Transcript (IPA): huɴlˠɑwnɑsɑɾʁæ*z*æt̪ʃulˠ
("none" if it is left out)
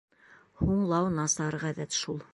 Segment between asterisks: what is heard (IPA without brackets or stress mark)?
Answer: ð